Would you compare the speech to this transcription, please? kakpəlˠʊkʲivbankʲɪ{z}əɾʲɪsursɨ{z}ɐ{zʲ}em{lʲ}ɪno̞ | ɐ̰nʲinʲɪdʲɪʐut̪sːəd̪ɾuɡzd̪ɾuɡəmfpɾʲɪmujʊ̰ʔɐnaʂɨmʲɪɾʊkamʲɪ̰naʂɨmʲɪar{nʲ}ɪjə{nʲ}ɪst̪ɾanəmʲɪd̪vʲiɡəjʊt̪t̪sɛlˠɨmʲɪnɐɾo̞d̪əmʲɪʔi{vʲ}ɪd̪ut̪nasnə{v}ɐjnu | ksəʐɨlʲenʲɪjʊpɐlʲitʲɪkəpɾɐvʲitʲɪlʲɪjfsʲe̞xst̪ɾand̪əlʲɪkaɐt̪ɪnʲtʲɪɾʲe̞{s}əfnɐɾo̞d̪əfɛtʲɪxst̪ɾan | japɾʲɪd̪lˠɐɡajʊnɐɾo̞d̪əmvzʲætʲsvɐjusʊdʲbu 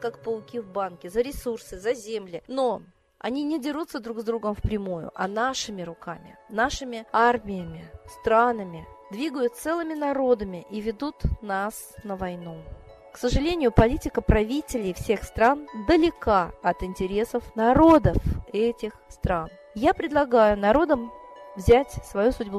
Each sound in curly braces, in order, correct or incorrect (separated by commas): correct, correct, correct, correct, incorrect, incorrect, correct, correct, correct